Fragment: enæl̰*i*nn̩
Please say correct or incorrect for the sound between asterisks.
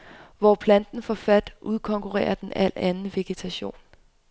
incorrect